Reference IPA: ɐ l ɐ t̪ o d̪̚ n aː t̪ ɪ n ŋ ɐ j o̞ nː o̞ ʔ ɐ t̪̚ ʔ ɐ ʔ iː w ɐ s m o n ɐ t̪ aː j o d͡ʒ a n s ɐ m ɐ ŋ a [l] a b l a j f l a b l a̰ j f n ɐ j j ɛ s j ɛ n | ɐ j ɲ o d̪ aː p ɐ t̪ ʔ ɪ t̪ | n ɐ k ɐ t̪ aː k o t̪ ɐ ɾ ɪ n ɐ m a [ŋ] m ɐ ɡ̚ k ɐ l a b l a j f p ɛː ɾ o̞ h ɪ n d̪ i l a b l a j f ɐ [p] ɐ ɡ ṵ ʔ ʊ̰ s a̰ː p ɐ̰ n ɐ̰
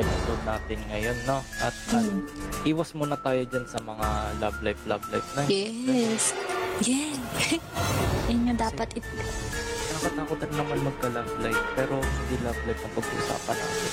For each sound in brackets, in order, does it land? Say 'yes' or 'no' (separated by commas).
yes, no, yes